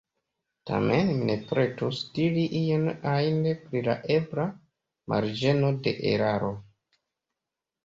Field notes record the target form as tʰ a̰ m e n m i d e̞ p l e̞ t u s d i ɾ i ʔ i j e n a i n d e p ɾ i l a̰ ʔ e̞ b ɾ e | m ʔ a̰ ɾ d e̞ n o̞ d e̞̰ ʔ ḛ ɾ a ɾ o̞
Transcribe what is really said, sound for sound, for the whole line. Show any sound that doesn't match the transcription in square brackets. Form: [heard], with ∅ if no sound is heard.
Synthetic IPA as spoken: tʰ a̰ m e n m i [n] e̞ p [ɾ] e̞ t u s d i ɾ i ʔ i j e n a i n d e p ɾ i l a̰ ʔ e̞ b ɾ [a] | m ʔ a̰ ɾ [d͡ʒ] e̞ n o̞ d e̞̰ ʔ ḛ ɾ a ɾ o̞